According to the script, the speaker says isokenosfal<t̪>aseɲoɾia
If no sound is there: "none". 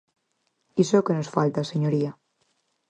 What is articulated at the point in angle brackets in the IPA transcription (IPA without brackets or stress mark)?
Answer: t̪